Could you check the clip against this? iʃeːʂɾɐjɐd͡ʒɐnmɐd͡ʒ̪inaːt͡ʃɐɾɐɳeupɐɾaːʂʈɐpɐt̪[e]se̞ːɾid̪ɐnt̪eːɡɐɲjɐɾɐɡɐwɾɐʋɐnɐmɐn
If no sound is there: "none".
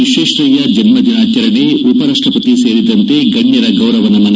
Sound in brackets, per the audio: i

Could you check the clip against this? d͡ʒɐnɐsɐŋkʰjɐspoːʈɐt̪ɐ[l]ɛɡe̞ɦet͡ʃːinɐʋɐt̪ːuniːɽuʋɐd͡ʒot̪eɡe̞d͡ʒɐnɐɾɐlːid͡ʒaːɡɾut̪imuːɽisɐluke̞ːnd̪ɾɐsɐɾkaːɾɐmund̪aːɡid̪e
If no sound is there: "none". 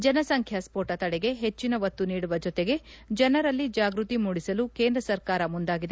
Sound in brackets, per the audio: ɽ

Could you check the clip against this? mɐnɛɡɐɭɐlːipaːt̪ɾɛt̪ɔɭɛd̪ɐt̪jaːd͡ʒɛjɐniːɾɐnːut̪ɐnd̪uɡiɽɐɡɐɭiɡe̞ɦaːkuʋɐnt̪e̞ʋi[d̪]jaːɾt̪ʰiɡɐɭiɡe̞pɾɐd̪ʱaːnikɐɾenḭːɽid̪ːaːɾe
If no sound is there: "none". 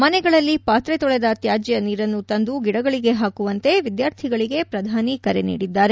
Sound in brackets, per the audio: d̪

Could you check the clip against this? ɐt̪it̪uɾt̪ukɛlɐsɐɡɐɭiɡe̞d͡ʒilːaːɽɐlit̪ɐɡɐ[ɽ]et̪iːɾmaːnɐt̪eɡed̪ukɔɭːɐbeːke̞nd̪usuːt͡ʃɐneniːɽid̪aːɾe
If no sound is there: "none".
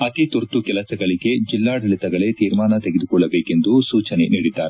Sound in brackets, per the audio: ɭ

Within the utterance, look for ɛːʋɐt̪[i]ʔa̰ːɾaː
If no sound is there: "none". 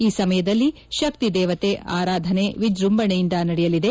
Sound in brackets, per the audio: e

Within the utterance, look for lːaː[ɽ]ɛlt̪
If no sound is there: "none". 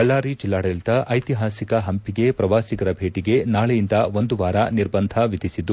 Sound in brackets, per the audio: ɽ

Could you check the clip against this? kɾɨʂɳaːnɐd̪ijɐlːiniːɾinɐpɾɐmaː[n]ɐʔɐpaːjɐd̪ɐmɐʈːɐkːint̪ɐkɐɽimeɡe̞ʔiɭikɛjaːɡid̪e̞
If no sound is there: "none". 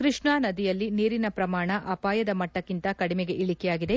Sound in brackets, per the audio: ɳ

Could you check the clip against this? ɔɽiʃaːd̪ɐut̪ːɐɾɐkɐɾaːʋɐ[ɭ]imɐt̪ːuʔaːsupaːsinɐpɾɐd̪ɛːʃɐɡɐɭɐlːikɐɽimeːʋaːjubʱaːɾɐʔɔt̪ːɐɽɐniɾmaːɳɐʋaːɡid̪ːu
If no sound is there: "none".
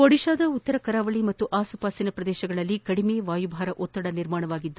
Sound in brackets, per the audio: ɭ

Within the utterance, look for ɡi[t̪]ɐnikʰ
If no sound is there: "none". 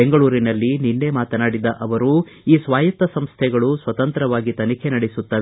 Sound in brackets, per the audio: t̪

